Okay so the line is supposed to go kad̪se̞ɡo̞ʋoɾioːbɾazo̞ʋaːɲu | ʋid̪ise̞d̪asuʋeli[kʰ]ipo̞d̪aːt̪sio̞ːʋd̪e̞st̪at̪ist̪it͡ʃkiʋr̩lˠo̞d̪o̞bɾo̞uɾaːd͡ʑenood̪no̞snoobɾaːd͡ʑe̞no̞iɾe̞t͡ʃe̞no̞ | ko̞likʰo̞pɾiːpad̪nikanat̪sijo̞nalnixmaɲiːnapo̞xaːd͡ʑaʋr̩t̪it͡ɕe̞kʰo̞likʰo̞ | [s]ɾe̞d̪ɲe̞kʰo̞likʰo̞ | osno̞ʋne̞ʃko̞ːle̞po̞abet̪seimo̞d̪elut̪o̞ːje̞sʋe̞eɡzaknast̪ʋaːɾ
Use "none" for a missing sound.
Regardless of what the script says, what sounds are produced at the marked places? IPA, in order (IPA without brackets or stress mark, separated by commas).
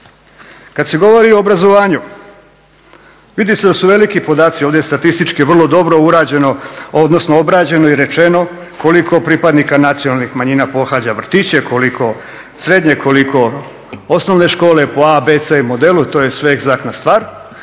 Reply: k, s